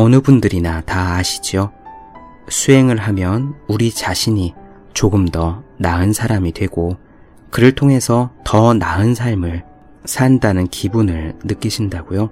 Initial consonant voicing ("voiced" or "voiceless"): voiced